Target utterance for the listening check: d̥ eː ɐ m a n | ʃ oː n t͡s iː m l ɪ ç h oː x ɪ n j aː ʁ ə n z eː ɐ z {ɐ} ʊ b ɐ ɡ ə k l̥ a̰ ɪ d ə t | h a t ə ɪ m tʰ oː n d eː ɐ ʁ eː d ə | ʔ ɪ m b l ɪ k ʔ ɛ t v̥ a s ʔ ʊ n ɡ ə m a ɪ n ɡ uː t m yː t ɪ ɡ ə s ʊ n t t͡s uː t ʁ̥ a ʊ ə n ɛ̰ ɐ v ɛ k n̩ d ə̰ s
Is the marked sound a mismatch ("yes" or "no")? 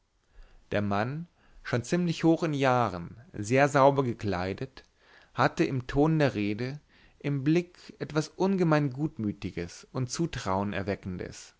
yes